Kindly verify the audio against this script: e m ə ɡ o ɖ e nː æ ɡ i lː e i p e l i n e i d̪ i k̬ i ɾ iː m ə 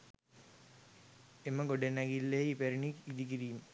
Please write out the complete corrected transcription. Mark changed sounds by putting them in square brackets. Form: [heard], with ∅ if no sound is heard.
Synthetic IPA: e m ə ɡ o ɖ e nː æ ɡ i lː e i p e [ɾ] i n [i] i d̪ i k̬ i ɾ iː m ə